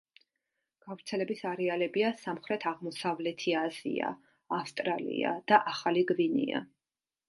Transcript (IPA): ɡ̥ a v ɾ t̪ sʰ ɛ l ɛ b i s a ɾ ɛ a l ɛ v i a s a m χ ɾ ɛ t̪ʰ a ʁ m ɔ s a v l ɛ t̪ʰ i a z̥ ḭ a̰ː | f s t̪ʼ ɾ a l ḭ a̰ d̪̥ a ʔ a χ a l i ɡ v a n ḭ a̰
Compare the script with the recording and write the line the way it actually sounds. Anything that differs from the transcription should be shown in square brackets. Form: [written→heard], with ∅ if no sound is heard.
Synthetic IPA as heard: ɡ̥ a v ɾ t̪ sʰ ɛ l ɛ b i s a ɾ ɛ a l ɛ [v→b] i a s a m χ ɾ ɛ t̪ʰ a ʁ m ɔ s a v l ɛ t̪ʰ i a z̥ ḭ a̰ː | f s t̪ʼ ɾ a l ḭ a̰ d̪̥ a ʔ a χ a l i ɡ v [a→i] n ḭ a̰